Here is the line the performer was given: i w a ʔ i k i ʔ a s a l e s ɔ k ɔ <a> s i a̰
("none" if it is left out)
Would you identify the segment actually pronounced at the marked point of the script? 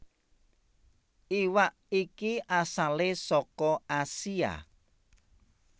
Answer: a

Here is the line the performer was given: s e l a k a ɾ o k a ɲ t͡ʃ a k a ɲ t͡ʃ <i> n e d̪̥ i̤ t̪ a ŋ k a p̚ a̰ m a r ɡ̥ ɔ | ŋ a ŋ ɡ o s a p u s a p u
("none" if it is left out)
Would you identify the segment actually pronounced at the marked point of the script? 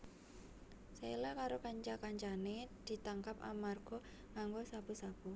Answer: a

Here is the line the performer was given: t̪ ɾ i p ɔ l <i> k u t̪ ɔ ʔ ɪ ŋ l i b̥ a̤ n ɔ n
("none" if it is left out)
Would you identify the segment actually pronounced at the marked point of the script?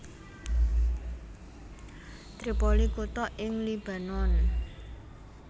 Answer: i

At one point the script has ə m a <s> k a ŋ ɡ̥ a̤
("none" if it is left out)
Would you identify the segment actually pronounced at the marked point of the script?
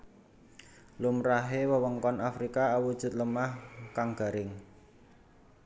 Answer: h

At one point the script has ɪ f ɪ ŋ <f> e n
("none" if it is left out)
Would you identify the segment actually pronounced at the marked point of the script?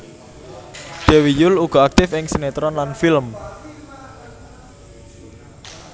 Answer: s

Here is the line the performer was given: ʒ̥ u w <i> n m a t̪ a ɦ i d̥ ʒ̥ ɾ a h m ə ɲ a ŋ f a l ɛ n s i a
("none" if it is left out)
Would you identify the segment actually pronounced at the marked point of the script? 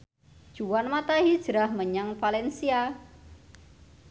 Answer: a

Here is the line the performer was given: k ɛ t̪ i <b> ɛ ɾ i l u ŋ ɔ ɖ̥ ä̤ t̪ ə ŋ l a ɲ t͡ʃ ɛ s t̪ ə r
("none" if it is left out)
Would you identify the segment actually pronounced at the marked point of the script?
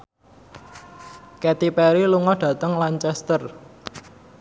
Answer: p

